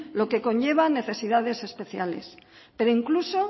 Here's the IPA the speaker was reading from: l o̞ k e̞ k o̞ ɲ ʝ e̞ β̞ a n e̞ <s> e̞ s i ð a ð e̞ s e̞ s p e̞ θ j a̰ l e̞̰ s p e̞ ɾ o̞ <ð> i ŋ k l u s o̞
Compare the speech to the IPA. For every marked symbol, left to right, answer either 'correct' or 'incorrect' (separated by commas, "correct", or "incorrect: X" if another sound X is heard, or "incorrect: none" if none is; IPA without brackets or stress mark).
incorrect: θ, incorrect: none